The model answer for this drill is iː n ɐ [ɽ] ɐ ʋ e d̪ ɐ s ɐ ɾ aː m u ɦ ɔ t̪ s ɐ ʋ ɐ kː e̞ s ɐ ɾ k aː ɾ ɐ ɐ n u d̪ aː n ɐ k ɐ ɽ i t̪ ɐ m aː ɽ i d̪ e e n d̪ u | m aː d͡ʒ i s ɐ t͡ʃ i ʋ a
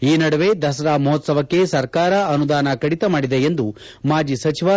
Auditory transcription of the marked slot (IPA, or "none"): ɽ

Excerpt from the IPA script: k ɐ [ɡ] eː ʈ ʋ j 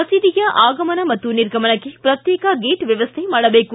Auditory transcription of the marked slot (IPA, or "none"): ɡ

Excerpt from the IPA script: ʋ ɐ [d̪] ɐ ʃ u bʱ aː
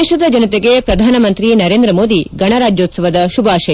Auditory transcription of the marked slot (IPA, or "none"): d̪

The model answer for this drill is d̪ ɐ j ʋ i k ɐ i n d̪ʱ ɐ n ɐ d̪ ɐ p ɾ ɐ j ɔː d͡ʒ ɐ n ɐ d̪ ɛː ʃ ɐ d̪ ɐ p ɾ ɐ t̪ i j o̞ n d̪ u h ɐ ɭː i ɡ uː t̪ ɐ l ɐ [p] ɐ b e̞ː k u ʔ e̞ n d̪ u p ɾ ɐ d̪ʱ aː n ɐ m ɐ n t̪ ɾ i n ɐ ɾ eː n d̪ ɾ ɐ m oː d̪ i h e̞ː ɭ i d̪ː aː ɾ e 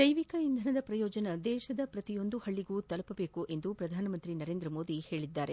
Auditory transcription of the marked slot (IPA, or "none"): p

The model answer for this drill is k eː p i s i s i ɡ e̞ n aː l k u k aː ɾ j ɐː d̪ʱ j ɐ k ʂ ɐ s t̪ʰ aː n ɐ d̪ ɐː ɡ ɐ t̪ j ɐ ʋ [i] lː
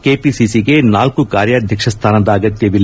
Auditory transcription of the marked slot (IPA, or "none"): i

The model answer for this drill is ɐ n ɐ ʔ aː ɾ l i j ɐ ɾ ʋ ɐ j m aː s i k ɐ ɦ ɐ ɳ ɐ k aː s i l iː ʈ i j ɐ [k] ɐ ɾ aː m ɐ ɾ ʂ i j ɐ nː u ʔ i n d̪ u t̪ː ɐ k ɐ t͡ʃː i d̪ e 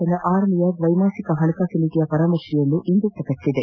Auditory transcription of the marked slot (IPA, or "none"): p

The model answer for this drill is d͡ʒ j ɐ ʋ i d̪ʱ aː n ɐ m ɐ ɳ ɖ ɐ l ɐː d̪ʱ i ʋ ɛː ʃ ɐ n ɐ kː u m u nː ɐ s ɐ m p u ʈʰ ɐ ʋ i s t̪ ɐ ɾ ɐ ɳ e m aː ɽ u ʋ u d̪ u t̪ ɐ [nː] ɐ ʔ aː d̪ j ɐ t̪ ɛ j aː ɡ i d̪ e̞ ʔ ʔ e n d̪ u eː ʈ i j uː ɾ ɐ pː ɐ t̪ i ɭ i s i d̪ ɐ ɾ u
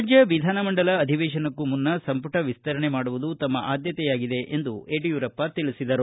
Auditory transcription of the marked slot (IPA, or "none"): mː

